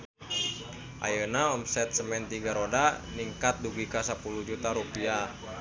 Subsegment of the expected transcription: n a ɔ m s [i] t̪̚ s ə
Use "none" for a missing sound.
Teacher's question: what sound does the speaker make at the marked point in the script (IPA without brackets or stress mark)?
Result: ɛ